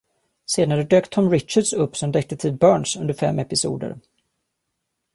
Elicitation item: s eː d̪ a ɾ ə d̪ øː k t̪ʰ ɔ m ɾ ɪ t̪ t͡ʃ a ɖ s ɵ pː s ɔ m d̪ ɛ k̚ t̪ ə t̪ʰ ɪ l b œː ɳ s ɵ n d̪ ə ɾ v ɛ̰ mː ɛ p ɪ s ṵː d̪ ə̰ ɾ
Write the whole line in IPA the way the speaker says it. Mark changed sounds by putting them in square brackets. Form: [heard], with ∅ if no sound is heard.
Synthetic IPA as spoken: s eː d̪ a ɾ ə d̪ øː k t̪ʰ ɔ m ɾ ɪ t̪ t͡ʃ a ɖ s ɵ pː s ɔ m d̪ ɛ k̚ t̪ ə t̪ʰ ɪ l b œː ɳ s ɵ n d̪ ə ɾ [f] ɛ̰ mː ɛ p ɪ s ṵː d̪ ə̰ ɾ